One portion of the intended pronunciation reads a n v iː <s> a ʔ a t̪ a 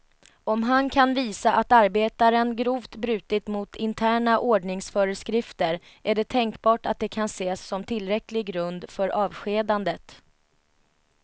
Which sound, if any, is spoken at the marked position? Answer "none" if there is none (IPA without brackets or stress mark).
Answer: s